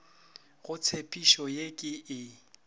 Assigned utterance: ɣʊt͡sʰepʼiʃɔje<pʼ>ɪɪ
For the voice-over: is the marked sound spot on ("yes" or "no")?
no